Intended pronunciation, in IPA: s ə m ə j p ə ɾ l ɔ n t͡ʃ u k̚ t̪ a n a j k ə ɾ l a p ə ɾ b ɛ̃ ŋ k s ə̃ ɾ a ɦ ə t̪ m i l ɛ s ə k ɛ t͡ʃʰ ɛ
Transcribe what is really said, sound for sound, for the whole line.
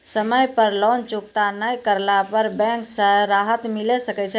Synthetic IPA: s ə m ə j p ə ɾ l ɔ n t͡ʃ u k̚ t̪ a n ə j k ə ɾ l a p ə ɾ b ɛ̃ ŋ k s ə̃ ɾ a ɦ ə t̪ m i l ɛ s ə k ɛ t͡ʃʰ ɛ